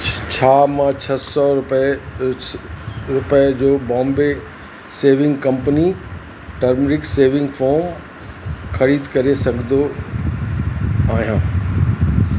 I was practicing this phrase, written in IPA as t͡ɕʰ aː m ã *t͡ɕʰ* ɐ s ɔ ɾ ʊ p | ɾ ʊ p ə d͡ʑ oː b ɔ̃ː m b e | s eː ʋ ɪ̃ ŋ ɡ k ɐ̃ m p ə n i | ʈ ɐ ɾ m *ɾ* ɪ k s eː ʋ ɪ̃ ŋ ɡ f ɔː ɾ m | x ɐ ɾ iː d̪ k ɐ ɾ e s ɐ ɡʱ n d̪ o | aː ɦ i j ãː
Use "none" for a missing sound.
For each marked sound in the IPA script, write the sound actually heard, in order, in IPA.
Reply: t͡ɕʰ, ɾ

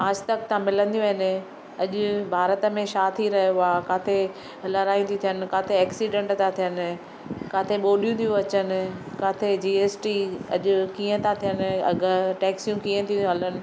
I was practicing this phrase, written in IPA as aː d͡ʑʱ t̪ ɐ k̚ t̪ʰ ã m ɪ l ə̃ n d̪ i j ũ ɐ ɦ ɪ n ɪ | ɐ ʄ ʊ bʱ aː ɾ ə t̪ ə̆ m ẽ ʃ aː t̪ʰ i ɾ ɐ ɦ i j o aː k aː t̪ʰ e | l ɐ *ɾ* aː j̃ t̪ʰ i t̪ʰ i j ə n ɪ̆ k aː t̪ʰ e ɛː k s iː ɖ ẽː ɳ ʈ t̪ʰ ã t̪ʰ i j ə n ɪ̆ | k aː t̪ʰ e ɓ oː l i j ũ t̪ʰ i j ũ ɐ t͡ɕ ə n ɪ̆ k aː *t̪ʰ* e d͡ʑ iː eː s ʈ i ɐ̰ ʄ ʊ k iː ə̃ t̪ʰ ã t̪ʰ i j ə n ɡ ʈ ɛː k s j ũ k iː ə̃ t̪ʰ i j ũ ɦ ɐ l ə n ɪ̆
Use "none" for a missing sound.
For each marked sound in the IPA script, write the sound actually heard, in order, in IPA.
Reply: ɾ, t̪ʰ

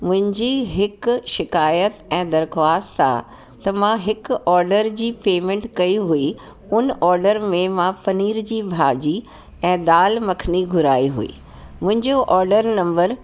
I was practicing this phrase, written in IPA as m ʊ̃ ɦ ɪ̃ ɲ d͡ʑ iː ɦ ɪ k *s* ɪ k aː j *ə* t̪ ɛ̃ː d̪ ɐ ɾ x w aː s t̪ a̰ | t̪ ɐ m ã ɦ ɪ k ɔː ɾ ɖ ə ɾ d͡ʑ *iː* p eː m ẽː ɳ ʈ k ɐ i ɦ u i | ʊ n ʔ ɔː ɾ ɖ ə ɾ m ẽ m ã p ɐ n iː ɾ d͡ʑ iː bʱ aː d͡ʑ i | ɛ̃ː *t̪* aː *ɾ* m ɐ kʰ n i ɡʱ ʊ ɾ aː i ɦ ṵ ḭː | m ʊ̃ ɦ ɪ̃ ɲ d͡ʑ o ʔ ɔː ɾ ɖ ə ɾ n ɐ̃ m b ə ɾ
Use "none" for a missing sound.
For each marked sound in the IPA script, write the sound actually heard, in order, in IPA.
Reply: ʃ, ə, iː, d̪, l

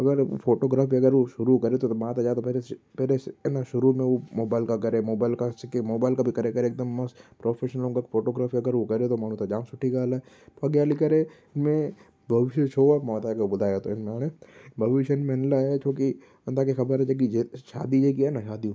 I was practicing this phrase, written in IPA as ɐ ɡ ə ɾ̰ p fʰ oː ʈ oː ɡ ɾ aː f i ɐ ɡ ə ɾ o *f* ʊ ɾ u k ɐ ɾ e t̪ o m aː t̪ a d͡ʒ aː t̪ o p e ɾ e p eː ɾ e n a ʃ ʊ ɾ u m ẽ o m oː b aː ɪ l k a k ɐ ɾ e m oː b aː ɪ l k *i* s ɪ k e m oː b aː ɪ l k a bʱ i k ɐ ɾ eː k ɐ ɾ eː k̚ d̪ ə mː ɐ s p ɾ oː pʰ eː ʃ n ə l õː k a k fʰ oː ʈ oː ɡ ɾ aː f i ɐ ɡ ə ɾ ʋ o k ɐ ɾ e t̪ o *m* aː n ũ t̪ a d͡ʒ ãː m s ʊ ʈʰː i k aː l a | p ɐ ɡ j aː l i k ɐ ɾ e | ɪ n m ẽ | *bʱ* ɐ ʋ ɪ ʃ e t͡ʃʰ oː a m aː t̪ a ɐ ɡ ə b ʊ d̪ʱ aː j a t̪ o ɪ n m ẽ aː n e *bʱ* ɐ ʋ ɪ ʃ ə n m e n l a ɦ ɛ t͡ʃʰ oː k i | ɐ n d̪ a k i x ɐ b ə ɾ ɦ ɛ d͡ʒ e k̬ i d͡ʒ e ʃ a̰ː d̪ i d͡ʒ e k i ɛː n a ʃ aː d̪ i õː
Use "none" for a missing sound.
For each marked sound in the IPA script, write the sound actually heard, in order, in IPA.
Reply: ʃ, a, m, bʱ, bʱ

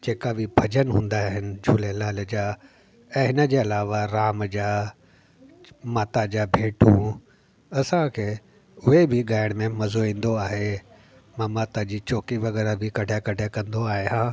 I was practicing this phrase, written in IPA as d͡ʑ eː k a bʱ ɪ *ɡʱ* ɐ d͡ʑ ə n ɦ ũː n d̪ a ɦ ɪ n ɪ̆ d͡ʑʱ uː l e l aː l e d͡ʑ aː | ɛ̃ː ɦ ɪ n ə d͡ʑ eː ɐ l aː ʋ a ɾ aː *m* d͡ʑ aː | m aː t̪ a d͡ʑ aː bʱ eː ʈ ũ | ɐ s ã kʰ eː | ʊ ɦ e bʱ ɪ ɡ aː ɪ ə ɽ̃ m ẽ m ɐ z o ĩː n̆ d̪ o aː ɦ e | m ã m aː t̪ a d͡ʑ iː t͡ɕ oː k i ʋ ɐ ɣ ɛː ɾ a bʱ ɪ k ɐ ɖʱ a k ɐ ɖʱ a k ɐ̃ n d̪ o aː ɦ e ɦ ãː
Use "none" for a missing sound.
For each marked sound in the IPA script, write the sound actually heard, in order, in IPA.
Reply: bʱ, m

